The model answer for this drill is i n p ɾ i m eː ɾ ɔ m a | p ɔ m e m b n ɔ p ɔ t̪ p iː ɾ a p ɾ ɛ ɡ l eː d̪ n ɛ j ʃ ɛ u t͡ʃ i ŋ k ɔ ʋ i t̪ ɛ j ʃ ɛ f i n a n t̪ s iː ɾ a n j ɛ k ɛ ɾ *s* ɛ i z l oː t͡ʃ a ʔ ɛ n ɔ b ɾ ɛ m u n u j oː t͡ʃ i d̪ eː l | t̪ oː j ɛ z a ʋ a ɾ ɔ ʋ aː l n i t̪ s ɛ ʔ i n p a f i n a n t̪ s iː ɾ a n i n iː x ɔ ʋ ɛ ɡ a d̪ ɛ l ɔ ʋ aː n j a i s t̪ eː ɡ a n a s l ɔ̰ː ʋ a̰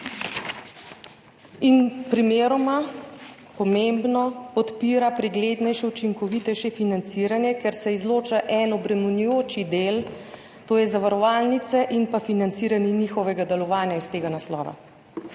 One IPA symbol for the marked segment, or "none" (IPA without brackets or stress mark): s